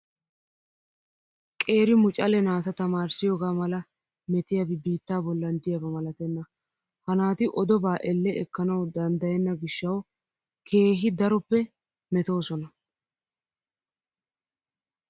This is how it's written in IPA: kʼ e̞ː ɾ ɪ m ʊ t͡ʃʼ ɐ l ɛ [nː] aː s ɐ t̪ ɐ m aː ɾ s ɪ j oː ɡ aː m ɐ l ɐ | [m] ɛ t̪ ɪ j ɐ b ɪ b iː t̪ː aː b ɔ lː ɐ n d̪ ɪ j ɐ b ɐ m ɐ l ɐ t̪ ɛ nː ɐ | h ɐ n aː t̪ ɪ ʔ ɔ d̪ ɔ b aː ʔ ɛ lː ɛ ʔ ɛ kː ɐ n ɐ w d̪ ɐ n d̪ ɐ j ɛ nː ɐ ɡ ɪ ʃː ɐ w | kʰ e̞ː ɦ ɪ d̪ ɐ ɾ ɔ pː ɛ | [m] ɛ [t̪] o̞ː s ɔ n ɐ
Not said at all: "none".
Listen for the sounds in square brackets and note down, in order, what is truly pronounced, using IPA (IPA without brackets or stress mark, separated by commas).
n, m, m, t̪